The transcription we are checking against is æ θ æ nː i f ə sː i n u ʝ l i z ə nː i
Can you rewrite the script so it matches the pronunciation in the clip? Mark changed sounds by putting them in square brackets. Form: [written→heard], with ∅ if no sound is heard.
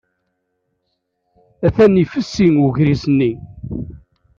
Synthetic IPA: æ θ æ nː i f ə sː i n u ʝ [l→ɾ] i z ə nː i